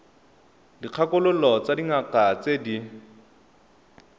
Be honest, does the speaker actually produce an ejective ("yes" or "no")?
no